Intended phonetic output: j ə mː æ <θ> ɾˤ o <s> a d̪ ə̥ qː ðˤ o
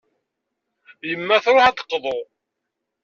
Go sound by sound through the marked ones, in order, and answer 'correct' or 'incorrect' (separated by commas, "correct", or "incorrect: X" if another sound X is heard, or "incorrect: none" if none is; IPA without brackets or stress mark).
correct, incorrect: ħ